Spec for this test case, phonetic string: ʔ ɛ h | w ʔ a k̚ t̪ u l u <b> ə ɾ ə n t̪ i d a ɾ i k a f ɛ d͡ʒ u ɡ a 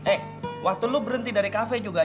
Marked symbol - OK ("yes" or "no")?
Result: yes